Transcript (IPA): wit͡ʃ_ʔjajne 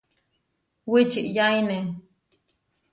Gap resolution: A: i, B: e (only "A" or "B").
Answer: A